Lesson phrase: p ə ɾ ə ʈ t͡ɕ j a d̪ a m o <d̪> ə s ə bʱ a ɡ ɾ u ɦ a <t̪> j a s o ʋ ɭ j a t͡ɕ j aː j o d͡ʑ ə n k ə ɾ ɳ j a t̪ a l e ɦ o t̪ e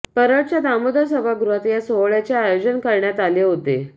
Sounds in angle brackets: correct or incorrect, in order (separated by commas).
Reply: correct, correct